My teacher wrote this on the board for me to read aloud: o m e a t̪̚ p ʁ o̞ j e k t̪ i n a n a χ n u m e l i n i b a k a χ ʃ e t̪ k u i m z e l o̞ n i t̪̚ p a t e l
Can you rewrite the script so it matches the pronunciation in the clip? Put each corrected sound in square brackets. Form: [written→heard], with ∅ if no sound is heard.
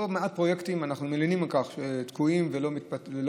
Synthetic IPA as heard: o m e a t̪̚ p ʁ o̞ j e k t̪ i [n→m] a n a χ n u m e l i n i [b→m] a k a χ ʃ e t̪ k u i m [z→v] e l o̞ [n→m] i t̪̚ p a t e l